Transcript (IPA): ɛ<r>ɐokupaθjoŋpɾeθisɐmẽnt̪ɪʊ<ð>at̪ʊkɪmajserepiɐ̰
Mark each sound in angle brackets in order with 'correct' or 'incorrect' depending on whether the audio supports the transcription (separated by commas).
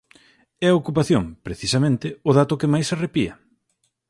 incorrect, correct